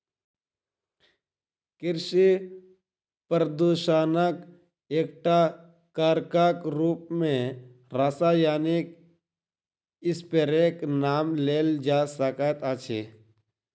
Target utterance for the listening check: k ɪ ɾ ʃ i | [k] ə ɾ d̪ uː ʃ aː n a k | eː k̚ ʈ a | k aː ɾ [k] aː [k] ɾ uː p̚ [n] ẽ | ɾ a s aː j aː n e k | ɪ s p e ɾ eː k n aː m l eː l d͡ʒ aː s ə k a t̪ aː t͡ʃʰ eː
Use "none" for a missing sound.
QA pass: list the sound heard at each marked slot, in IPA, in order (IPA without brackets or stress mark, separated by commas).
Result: p, k, k, m